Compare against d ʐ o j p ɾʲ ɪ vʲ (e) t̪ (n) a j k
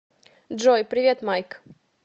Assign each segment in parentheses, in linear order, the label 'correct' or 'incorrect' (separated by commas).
correct, incorrect